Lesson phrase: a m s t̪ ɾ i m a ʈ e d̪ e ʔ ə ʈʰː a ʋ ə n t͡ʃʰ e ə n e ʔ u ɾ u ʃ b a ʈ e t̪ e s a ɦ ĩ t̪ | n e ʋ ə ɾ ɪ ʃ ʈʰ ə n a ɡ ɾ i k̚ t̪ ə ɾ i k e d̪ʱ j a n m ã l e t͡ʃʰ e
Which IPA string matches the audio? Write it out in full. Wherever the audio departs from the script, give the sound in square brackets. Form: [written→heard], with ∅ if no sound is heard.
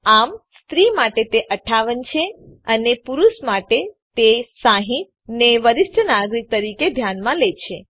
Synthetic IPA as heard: a m s t̪ ɾ i m a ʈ e [d̪→t̪] e ʔ ə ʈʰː a ʋ ə n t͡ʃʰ e ə n e [ʔ→p] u ɾ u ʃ [b→m] a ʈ e t̪ e s a ɦ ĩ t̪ | n e ʋ ə ɾ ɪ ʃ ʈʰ ə n a ɡ ɾ i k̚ t̪ ə ɾ i k e d̪ʱ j a n m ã l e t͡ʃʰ e